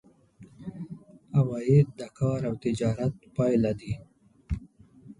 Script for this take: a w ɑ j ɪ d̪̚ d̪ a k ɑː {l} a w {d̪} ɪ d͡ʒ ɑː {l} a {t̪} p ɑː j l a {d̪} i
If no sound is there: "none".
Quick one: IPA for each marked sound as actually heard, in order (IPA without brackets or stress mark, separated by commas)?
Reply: ɾ, t̪, ɾ, t̪, d̪